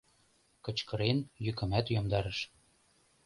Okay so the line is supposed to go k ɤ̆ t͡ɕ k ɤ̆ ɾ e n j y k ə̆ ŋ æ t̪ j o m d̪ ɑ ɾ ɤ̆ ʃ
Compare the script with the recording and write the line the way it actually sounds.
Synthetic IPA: k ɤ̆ t͡ɕ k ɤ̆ ɾ e n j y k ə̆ m æ t̪ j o m d̪ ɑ ɾ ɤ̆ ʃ